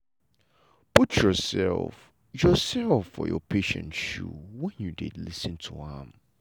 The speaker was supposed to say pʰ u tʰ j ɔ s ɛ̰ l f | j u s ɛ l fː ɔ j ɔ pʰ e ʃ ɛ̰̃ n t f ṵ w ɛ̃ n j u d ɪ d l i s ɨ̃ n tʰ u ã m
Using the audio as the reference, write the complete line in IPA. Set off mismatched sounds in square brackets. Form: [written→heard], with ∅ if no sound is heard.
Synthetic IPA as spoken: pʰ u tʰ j ɔ s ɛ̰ l f | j [u→ɔ] s ɛ l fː ɔ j ɔ pʰ e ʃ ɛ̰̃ n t [f→ʃ] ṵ w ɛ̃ n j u d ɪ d l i s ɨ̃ n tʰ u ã m